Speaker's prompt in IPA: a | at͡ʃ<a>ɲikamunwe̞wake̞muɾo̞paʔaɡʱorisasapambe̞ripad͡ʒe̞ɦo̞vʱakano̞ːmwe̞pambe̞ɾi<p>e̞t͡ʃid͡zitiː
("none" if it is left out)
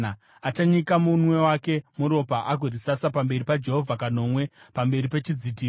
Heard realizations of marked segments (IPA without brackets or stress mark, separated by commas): a, p